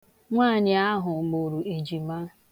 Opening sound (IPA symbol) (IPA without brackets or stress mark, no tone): ŋʷ